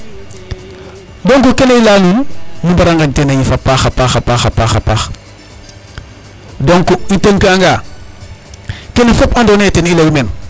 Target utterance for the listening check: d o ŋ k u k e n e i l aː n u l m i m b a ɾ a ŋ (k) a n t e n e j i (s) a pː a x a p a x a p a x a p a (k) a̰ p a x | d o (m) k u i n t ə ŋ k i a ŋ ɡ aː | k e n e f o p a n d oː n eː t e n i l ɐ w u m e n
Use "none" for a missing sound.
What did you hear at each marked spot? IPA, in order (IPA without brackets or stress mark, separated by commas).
ɡ, f, x, ŋ